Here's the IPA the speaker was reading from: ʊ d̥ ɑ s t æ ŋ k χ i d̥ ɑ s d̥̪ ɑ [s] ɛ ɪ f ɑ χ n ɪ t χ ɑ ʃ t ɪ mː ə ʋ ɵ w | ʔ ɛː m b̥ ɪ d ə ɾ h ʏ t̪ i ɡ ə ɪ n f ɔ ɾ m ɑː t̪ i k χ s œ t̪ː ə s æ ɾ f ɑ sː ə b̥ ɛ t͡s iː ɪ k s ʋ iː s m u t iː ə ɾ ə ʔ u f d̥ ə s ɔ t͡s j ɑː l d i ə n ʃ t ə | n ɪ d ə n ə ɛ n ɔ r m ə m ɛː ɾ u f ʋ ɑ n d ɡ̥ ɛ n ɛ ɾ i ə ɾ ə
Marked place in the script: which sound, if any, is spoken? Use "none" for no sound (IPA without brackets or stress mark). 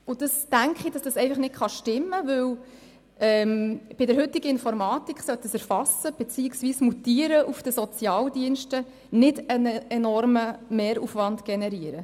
s